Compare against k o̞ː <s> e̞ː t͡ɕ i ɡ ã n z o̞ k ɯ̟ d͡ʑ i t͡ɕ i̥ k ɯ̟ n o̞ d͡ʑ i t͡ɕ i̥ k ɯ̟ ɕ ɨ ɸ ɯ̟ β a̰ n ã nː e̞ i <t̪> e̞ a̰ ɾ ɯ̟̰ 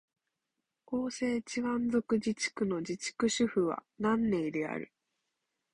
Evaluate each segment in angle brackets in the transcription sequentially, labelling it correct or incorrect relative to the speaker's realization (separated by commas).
correct, incorrect